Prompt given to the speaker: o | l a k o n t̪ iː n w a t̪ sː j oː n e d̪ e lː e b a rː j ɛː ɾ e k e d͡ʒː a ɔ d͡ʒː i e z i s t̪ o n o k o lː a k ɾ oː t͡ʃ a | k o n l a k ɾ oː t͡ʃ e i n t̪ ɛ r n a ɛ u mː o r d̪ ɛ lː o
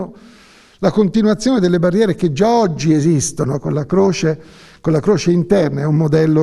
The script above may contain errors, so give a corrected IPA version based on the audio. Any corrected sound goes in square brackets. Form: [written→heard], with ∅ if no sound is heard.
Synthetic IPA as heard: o | l a k o n t̪ [iː→i] n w a t̪ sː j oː n e d̪ e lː e b a rː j ɛː ɾ e k e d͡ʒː a ɔ d͡ʒː i e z i s t̪ o n o k o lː a k ɾ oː t͡ʃ [a→e] | k o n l a k ɾ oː t͡ʃ e i n t̪ ɛ r n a ɛ u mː o [r→∅] d̪ ɛ lː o